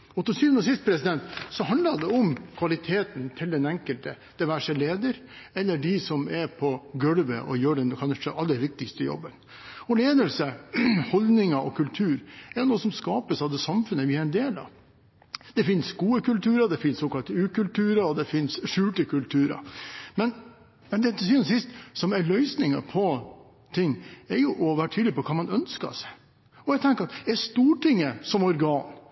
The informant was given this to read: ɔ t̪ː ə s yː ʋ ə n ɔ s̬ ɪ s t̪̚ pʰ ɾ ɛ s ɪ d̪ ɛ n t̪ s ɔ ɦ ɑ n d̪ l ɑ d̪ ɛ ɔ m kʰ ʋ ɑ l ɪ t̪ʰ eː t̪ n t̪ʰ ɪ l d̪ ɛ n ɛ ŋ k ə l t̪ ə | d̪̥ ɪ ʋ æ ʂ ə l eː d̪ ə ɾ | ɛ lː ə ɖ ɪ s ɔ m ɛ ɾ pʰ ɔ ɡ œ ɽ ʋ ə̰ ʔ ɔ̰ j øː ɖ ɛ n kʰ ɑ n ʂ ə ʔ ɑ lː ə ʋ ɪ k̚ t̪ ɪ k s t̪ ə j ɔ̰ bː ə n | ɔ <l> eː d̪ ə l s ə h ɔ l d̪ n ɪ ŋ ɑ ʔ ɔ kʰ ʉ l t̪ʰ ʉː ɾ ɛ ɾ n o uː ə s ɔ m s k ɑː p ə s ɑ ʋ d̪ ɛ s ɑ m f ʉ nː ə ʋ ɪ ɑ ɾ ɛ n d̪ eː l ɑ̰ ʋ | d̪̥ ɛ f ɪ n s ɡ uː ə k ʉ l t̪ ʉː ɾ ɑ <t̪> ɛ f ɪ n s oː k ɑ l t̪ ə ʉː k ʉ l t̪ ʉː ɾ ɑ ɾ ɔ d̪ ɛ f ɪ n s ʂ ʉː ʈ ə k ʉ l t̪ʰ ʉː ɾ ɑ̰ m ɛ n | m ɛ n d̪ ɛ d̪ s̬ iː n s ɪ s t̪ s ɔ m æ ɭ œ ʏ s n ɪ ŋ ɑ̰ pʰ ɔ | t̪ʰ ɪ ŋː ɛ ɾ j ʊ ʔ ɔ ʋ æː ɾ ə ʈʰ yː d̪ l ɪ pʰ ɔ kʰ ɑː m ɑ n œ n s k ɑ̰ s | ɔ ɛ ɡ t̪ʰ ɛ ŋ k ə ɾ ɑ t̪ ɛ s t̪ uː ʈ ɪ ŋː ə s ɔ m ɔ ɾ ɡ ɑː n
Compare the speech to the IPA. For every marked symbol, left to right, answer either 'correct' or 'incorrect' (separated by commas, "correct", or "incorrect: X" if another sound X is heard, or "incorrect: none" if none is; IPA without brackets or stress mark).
correct, incorrect: d̪